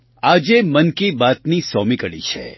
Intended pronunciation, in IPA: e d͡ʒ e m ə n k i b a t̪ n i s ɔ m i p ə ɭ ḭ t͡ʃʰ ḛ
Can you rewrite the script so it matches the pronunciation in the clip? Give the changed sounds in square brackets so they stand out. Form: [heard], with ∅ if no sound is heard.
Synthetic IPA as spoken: [a] d͡ʒ e m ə n k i b a t̪ n i s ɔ m i [k] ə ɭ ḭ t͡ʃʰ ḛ